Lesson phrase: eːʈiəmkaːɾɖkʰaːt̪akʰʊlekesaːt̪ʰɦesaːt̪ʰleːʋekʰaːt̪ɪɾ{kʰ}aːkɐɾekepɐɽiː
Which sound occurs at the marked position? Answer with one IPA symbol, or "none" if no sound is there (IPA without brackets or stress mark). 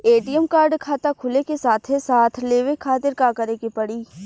k